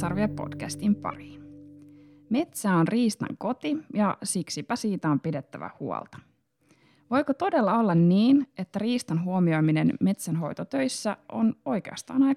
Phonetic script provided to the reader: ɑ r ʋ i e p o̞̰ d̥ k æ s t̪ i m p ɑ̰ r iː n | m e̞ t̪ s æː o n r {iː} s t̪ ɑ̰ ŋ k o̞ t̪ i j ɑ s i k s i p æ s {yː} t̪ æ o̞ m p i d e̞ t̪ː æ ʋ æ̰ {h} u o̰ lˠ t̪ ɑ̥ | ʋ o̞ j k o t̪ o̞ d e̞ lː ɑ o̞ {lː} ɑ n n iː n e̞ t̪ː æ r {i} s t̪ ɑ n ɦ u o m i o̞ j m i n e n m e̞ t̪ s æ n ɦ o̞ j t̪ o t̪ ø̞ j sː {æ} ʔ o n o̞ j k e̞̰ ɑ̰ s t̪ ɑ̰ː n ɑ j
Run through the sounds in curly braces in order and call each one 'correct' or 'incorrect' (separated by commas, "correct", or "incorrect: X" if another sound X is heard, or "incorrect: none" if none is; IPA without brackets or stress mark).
correct, incorrect: iː, correct, correct, incorrect: iː, correct